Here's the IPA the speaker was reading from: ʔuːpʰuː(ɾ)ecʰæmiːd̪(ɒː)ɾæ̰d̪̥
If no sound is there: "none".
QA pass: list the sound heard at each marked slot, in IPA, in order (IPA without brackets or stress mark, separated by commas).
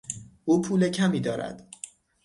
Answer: l, ɒː